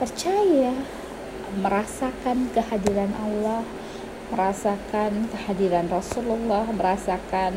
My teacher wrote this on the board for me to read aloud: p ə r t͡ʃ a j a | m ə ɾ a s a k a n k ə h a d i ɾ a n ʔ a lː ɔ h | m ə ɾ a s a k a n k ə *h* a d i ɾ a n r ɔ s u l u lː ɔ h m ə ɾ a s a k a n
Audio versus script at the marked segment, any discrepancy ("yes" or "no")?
no